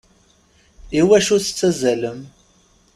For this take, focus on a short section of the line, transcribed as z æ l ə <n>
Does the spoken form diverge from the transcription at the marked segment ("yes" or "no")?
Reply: yes